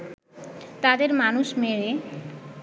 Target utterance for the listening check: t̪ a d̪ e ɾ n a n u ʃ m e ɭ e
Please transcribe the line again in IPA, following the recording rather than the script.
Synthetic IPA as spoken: t̪ a d̪ e ɾ m a n u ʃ m e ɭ e